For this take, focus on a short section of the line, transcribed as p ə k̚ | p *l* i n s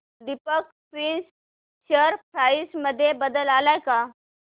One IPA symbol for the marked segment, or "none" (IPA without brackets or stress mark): ɾ